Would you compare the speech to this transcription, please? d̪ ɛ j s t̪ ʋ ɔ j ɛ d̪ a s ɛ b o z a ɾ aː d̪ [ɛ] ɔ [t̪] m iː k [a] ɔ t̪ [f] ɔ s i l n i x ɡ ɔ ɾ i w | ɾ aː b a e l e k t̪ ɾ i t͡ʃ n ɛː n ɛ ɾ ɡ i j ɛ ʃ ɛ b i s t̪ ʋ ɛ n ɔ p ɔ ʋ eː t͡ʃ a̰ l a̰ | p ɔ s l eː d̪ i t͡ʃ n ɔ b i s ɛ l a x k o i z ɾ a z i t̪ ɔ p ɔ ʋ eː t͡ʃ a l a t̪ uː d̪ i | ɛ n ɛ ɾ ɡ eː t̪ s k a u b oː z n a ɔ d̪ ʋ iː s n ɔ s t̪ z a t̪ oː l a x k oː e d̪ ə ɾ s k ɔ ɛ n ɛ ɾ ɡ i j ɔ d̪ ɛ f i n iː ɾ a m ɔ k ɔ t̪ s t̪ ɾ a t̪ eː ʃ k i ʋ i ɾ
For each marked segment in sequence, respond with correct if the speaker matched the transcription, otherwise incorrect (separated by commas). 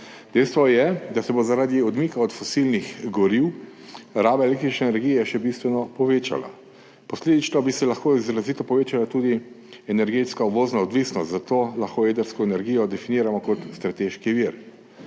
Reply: incorrect, incorrect, correct, correct